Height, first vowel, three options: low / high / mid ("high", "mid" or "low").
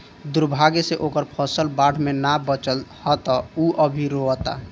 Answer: high